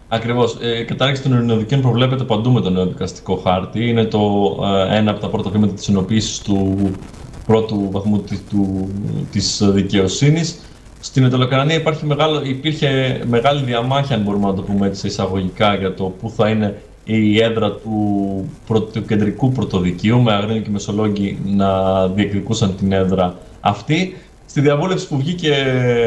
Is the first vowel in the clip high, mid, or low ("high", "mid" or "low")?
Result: low